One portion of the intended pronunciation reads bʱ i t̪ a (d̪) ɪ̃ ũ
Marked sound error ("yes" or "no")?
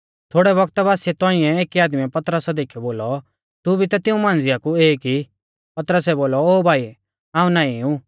yes